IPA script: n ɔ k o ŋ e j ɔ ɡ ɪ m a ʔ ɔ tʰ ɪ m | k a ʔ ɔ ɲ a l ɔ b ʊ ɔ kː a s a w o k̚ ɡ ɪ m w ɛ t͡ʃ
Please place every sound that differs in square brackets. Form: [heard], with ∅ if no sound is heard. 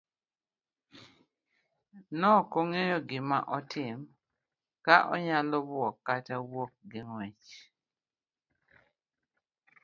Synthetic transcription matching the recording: n ɔ k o ŋ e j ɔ ɡ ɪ m a ʔ ɔ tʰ ɪ m | k a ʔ ɔ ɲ a l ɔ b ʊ ɔ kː a [t] a w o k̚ ɡ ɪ [ŋ] w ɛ t͡ʃ